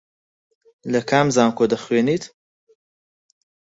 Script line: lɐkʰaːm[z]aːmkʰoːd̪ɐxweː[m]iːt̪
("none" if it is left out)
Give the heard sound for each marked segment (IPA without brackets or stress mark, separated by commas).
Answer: z, n